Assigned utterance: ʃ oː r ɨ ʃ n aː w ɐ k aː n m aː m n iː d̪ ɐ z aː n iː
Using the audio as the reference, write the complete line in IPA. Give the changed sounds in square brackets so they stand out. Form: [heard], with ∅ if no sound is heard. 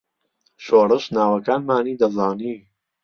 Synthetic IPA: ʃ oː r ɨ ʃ n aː w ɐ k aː n m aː [∅] n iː d̪ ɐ z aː n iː